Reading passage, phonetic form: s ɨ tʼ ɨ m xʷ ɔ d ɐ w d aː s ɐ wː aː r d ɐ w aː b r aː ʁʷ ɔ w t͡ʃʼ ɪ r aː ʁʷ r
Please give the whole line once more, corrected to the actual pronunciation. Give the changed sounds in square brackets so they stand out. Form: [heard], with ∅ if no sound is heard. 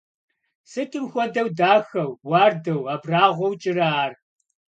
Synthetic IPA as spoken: s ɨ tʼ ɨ m xʷ ɔ d ɐ w d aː [x] ɐ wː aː r d ɐ w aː b r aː ʁʷ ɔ w t͡ʃʼ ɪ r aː [∅] r